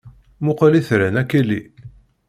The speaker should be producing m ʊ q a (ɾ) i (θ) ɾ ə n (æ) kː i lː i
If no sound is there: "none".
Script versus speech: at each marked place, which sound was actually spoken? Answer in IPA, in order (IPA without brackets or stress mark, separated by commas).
l, θ, æ